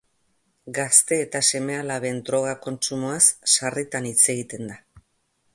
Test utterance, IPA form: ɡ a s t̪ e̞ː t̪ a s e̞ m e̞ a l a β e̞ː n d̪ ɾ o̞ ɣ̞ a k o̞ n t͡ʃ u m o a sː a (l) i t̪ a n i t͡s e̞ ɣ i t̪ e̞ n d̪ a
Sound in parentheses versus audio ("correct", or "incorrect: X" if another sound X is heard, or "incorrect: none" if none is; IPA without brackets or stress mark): incorrect: r